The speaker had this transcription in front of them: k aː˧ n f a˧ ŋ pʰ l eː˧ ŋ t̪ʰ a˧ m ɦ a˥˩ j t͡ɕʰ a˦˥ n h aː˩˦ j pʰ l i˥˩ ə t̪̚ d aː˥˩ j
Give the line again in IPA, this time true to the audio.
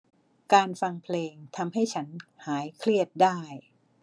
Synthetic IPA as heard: k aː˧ n f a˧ ŋ pʰ l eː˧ ŋ t̪ʰ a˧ m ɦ a˥˩ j t͡ɕʰ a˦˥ n h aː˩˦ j kʰ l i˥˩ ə t̪̚ d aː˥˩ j